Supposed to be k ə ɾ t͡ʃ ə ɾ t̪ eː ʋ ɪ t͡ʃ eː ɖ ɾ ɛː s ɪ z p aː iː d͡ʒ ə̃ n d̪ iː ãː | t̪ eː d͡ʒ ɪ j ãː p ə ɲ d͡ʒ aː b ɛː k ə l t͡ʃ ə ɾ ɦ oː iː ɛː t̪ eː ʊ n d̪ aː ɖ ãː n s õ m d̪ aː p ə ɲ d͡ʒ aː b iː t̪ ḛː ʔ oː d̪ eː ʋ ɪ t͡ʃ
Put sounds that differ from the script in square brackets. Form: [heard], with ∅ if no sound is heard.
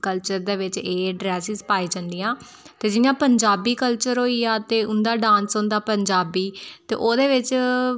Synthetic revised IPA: k ə [l] t͡ʃ ə ɾ [d̪] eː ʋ ɪ t͡ʃ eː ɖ ɾ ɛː s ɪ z p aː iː d͡ʒ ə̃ n d̪ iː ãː | t̪ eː d͡ʒ ɪ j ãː p ə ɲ d͡ʒ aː b [iː] k ə l t͡ʃ ə ɾ ɦ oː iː [aː] t̪ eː ʊ n d̪ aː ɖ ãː n s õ [n] d̪ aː p ə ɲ d͡ʒ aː b iː t̪ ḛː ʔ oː d̪ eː ʋ ɪ t͡ʃ